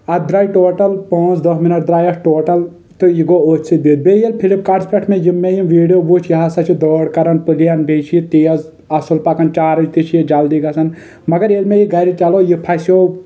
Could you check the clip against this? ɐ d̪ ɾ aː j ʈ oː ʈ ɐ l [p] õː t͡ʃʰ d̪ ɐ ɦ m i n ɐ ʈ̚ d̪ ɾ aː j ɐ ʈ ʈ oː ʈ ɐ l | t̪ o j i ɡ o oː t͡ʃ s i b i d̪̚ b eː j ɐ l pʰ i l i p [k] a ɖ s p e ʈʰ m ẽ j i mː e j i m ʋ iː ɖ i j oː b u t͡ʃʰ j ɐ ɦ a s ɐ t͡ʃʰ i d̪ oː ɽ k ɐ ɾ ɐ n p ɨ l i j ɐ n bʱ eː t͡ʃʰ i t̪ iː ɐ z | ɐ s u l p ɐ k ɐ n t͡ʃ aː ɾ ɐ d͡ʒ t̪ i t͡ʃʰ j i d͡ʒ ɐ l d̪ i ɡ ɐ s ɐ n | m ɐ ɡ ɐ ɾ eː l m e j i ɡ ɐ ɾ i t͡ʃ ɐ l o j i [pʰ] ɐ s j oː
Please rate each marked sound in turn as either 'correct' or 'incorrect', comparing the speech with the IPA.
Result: correct, correct, correct

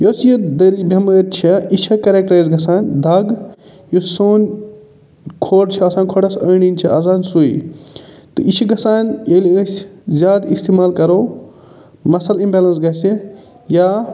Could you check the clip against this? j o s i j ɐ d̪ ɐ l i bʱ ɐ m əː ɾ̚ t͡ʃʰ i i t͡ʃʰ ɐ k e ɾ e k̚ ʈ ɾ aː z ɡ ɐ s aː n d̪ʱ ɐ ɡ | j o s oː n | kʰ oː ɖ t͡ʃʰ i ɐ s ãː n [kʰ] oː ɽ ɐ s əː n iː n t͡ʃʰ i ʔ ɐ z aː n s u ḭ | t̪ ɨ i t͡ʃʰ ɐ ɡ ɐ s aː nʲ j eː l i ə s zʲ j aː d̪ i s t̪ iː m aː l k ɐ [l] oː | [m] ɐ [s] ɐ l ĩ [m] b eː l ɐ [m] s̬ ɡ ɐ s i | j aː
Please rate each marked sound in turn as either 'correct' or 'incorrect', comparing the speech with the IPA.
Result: correct, incorrect, correct, correct, correct, incorrect

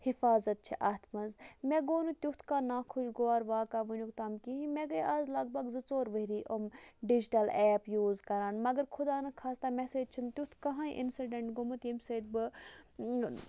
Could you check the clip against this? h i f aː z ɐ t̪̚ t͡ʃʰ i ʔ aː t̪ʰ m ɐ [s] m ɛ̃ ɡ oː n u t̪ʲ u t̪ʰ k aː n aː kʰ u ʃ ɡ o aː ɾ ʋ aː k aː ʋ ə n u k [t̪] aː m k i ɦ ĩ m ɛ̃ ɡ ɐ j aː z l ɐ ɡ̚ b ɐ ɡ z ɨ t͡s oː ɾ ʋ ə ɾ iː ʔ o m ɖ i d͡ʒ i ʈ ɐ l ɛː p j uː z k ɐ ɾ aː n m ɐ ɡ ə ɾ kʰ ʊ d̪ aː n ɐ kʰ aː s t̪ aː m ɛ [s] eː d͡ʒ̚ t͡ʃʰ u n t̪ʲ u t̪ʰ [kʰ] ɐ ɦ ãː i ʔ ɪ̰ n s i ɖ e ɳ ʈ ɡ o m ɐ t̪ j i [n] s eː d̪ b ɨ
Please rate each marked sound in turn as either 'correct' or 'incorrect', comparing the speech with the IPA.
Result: incorrect, correct, correct, incorrect, incorrect

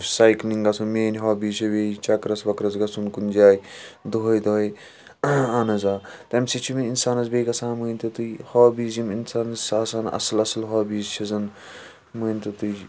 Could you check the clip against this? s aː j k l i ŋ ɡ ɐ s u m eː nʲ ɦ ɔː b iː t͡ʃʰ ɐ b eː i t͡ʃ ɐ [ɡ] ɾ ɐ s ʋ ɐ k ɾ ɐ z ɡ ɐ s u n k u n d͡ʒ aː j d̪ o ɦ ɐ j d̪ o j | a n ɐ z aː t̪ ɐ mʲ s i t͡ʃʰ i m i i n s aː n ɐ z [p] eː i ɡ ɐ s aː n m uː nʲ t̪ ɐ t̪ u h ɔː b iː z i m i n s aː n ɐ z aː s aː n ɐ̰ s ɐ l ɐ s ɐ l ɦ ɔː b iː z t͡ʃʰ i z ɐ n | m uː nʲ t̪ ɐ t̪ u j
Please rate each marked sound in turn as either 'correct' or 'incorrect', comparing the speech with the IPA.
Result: incorrect, incorrect

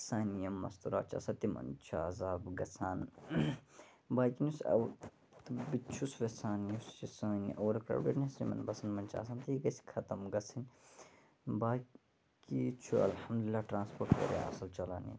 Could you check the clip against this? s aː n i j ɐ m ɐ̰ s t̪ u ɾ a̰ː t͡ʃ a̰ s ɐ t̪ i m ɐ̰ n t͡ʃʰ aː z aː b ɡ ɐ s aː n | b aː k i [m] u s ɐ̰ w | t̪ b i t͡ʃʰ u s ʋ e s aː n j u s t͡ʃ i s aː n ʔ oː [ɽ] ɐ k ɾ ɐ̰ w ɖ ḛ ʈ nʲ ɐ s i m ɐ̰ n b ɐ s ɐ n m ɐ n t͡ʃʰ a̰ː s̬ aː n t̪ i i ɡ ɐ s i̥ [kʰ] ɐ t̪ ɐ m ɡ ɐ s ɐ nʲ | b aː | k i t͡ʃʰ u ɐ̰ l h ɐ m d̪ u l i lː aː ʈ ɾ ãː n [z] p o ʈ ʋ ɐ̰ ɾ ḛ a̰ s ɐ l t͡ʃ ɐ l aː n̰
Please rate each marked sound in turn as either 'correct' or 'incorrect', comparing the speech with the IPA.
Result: incorrect, incorrect, correct, incorrect

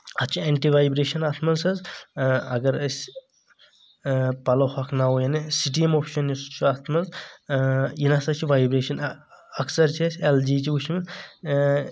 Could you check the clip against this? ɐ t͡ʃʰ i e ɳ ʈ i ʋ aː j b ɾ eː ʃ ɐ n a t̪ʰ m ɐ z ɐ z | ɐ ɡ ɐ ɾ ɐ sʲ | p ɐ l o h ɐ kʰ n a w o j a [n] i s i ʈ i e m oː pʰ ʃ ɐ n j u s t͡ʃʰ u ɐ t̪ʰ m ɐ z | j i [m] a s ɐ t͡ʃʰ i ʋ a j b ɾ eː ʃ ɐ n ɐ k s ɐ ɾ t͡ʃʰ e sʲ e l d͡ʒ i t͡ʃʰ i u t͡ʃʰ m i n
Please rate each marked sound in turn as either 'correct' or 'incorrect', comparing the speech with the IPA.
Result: correct, incorrect

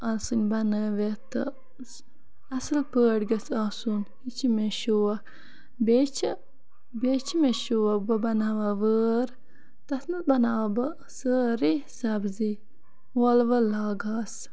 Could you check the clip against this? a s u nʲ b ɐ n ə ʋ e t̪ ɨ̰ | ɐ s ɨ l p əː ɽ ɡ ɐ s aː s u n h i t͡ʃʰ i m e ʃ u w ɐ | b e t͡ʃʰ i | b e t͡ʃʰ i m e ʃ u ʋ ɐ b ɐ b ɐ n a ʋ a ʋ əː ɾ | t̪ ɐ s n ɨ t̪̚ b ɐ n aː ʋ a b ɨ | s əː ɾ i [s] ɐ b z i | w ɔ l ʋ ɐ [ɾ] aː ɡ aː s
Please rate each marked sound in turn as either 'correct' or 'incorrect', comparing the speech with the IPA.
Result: correct, incorrect

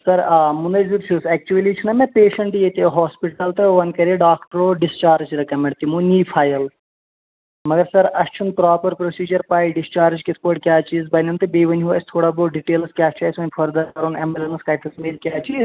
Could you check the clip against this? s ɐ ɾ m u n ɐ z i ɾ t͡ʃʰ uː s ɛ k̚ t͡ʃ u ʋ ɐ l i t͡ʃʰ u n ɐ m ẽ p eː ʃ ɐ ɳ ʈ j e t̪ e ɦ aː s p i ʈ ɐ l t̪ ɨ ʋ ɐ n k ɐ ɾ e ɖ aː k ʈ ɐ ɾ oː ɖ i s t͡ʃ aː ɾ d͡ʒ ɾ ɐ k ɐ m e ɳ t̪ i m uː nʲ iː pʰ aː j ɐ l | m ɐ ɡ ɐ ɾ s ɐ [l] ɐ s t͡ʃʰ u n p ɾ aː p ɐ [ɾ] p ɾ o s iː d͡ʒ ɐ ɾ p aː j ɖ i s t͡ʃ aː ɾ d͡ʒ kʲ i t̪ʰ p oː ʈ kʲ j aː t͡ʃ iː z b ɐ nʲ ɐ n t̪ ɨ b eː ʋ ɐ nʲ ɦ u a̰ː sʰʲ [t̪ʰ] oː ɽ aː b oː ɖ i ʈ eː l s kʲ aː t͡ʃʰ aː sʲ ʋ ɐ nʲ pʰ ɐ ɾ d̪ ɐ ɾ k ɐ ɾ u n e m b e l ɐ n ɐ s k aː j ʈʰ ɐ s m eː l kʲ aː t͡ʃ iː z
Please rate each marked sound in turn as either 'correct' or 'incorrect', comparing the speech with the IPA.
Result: incorrect, correct, correct

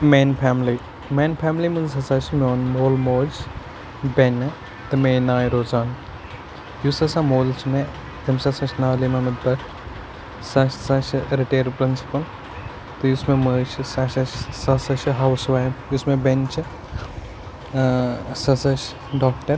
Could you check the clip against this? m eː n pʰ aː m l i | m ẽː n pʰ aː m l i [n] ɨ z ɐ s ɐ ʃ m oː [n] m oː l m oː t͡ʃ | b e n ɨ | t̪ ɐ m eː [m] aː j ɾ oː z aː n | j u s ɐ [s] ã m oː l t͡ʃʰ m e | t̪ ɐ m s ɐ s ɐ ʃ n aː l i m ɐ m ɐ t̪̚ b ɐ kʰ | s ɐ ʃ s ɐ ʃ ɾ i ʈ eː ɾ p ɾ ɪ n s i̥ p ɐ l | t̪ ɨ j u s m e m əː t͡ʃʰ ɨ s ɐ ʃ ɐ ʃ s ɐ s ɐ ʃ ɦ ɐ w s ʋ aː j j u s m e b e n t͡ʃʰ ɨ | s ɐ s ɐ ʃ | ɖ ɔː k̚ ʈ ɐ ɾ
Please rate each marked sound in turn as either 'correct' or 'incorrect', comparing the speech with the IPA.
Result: incorrect, correct, incorrect, correct

